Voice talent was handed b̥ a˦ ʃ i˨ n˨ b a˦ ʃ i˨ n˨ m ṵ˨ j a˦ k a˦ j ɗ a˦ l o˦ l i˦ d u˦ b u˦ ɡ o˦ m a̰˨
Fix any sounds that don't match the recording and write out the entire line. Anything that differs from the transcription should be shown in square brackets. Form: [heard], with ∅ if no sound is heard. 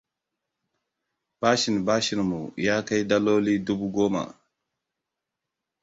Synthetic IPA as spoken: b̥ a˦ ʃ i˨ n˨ b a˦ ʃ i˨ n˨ m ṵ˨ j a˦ k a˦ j [d] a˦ l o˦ l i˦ d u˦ b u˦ ɡ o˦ m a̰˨